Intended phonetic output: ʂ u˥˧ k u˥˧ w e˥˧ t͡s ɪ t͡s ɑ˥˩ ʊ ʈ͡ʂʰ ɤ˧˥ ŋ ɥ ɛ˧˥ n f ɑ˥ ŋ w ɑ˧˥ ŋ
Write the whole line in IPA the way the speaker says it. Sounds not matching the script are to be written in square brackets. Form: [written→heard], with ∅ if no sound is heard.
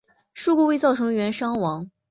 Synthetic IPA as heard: ʂ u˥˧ k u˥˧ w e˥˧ [t͡s→∅] ɪ t͡s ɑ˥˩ ʊ ʈ͡ʂʰ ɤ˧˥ ŋ ɥ ɛ˧˥ n [f→ʂ] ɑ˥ ŋ w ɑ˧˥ ŋ

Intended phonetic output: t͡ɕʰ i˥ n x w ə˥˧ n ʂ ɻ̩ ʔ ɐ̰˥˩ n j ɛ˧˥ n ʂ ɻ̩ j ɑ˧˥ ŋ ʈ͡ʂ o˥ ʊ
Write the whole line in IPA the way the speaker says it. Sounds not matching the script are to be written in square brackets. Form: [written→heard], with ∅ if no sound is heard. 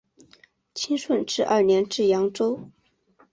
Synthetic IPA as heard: t͡ɕʰ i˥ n [x→ʂ] w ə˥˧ n [ʂ→ʈ͡ʂ] ɻ̩ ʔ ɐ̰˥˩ n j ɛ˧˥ n [ʂ→ʈ͡ʂ] ɻ̩ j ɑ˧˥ ŋ ʈ͡ʂ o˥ ʊ

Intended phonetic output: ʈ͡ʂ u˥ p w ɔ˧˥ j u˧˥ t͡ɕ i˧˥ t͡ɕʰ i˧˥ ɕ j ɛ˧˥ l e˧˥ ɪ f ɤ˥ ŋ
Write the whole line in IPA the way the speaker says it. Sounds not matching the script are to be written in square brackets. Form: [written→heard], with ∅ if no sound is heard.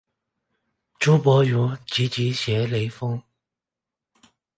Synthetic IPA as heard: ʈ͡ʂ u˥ p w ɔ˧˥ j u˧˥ t͡ɕ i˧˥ [t͡ɕʰ→t͡ɕ] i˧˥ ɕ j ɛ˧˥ l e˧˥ ɪ f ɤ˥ ŋ

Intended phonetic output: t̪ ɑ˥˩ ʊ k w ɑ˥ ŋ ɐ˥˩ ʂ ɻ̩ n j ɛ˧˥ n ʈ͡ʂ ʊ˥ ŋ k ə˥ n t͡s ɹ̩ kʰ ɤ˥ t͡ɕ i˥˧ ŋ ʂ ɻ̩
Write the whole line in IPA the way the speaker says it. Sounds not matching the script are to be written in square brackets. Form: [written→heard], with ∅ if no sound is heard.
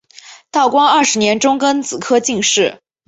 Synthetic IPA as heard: t̪ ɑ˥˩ ʊ k w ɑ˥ ŋ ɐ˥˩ ʂ ɻ̩ n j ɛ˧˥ n ʈ͡ʂ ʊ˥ ŋ k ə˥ n t͡s ɹ̩ kʰ ɤ˥ t͡ɕ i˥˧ ŋ ʂ ɻ̩

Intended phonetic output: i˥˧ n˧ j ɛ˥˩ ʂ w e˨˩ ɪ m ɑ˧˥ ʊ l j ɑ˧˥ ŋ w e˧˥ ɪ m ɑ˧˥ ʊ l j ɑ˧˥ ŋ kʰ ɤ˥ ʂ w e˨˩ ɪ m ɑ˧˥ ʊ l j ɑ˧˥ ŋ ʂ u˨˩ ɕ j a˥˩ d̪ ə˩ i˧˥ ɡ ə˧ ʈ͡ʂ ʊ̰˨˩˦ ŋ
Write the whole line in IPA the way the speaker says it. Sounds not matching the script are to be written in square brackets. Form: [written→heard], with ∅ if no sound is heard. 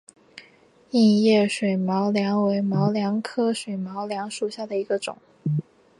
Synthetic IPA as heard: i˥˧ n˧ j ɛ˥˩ ʂ w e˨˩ ɪ m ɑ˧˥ ʊ l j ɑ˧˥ ŋ w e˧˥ ɪ m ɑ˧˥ ʊ l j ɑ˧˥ ŋ kʰ ɤ˥ ʂ w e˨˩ ɪ m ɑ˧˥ ʊ l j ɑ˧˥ ŋ ʂ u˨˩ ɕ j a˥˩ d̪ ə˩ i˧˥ ɡ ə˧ ʈ͡ʂ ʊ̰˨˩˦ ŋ

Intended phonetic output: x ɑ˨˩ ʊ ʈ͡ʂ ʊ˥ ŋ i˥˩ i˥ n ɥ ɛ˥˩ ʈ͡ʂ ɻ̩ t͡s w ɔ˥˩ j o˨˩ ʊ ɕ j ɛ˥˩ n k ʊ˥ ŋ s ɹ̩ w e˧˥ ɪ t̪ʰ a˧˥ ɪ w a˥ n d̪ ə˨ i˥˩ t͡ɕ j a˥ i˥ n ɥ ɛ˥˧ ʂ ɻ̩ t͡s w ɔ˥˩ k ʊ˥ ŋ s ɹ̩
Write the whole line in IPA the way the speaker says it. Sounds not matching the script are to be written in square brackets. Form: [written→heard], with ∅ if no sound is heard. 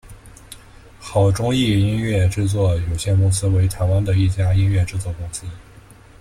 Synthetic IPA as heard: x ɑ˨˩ ʊ ʈ͡ʂ ʊ˥ ŋ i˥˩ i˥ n ɥ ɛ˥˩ ʈ͡ʂ ɻ̩ t͡s w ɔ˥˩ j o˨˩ ʊ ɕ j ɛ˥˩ n k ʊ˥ ŋ s ɹ̩ w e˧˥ ɪ t̪ʰ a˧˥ ɪ w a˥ n d̪ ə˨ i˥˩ t͡ɕ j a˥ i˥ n ɥ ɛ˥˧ [ʂ→ʈ͡ʂ] ɻ̩ t͡s w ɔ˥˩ k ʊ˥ ŋ s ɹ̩

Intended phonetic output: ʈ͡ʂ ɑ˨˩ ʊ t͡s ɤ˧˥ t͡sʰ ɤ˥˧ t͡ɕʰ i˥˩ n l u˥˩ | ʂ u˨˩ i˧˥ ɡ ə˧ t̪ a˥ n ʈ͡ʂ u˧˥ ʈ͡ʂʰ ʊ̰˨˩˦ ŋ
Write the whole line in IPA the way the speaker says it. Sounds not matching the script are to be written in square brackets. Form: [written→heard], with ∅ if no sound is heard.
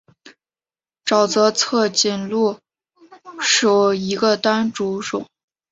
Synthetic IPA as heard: ʈ͡ʂ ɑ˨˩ ʊ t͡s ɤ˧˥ t͡sʰ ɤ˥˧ [t͡ɕʰ→t͡ɕ] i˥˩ n l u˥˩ | ʂ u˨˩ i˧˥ ɡ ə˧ t̪ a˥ n ʈ͡ʂ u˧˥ [ʈ͡ʂʰ→ʈ͡ʂ] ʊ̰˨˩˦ ŋ

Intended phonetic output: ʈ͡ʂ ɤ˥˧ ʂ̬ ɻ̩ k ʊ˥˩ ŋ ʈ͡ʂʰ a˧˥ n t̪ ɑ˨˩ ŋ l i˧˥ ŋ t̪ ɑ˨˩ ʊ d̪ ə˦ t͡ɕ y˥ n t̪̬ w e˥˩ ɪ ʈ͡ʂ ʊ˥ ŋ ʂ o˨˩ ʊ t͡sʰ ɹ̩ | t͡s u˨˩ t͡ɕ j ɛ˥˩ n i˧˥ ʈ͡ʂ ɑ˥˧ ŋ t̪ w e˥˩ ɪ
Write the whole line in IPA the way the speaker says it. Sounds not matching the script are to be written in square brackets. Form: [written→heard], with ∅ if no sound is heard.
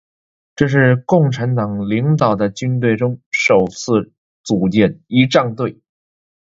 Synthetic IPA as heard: ʈ͡ʂ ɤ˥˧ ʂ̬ ɻ̩ k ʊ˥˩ ŋ ʈ͡ʂʰ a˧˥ n t̪ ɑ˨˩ ŋ l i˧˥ ŋ t̪ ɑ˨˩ ʊ d̪ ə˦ t͡ɕ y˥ n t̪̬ w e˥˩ ɪ ʈ͡ʂ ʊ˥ ŋ ʂ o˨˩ ʊ t͡sʰ ɹ̩ | t͡s u˨˩ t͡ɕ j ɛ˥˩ n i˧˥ ʈ͡ʂ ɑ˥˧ ŋ t̪ w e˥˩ ɪ

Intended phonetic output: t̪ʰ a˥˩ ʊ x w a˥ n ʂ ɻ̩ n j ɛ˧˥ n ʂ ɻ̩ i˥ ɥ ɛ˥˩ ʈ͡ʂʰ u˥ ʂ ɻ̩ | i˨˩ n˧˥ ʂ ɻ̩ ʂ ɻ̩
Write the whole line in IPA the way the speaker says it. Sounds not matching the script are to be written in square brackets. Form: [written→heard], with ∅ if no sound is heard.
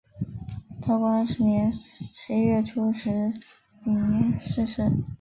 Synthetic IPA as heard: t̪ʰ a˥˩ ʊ [x→k] w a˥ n ʂ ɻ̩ n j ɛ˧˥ n ʂ ɻ̩ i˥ ɥ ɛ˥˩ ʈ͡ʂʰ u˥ ʂ ɻ̩ | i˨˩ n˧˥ ʂ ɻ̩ ʂ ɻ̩

